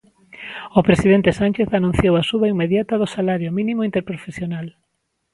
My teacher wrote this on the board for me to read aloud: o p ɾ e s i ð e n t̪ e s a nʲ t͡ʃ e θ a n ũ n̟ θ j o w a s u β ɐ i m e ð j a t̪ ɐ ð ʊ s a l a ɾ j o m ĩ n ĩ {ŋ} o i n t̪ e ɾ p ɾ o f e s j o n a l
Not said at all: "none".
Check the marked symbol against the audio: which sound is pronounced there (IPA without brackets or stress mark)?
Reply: m